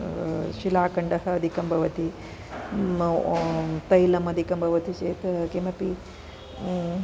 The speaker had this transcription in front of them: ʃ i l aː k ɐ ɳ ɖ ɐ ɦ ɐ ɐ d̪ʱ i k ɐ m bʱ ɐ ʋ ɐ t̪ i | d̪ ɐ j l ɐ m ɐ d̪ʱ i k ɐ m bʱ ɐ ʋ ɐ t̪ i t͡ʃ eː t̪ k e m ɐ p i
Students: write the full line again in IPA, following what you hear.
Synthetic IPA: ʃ i l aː k ɐ ɳ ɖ ɐ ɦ ɐ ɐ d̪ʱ i k ɐ m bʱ ɐ ʋ ɐ t̪ i | t̪ ɐ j l ɐ m ɐ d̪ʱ i k ɐ m bʱ ɐ ʋ ɐ t̪ i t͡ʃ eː t̪ k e m ɐ p i

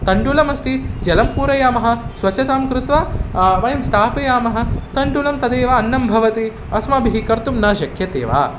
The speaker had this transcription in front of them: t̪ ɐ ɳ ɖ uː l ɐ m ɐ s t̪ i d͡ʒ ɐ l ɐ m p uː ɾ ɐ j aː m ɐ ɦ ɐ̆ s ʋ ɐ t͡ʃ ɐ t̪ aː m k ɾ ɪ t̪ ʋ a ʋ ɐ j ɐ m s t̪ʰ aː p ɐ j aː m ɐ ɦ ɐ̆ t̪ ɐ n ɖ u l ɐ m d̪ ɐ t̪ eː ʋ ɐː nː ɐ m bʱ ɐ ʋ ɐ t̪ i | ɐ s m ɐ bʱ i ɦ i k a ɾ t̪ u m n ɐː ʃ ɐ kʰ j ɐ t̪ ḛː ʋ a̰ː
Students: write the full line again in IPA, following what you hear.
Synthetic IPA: t̪ ɐ ɳ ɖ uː l ɐ m ɐ s t̪ i d͡ʒ ɐ l ɐ m p uː ɾ ɐ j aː m ɐ ɦ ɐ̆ s ʋ ɐ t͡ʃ ɐ t̪ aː m k ɾ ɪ t̪ ʋ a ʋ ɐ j ɐ m s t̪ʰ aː p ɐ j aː m ɐ ɦ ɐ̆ t̪ ɐ ɳ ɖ u l ɐ m t̪ ɐ d̪ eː ʋ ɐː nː ɐ m bʱ ɐ ʋ ɐ t̪ i | ɐ s m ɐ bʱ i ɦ i k ɐ ɾ t̪ u m n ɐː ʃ ɐ kʰ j ɐ t̪ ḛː ʋ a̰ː

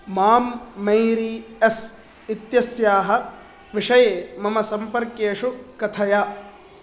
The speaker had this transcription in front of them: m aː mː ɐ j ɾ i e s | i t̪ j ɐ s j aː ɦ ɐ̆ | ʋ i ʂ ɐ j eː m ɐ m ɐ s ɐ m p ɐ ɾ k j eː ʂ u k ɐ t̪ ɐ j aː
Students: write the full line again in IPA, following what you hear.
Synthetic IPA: m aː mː ɐ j ɾ i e s | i t̪ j ɐ s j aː ɦ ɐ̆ | ʋ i ʂ ɐ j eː m ɐ m ɐ s ɐ m p ɐ ɾ k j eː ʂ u k ɐ t̪ʰ ɐ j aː

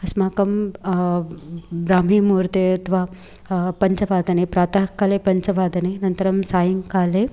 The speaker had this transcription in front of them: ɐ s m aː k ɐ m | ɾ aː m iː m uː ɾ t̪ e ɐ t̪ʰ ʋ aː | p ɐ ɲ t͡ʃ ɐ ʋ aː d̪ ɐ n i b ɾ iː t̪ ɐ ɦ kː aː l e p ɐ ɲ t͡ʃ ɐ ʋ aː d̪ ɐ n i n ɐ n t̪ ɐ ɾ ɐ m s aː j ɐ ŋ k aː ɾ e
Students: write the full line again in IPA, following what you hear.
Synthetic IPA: ɐ s m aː k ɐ m | ɾ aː m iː m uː ɾ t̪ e ɐ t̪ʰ ʋ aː | p ɐ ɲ t͡ʃ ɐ ʋ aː d̪ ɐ n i p ɾ aː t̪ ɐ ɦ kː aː l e p ɐ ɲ t͡ʃ ɐ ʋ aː d̪ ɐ n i n ɐ n t̪ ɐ ɾ ɐ m s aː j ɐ ŋ k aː l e

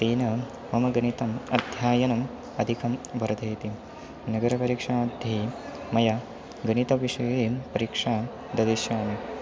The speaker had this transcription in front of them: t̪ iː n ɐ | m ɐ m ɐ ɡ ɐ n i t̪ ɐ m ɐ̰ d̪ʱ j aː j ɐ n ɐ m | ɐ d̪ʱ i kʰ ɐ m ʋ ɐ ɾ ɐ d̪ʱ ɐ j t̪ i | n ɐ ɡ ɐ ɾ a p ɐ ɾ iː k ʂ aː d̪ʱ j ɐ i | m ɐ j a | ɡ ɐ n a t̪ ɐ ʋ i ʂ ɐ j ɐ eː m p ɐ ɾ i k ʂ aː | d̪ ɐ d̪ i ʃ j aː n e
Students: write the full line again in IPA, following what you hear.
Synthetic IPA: t̪ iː n ɐ | m ɐ m ɐ ɡ ɐ n i t̪ ɐ m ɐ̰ d̪ʱ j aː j ɐ n ɐ m | ɐ d̪ʱ i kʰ ɐ m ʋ ɐ ɾ ɐ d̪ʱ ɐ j t̪ i | n ɐ ɡ ɐ ɾ ɐ p ɐ ɾ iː k ʂ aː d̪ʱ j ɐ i | m ɐ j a | ɡ ɐ n i t̪ ɐ ʋ i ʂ ɐ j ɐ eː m p ɐ ɾ i k ʂ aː | d̪ ɐ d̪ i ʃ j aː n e

